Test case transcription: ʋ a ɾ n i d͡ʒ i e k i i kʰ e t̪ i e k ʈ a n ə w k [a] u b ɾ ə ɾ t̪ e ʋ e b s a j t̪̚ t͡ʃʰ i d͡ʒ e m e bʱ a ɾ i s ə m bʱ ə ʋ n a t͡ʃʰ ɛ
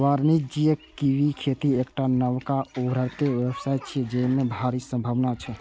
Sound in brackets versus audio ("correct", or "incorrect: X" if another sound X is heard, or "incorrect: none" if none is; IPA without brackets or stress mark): correct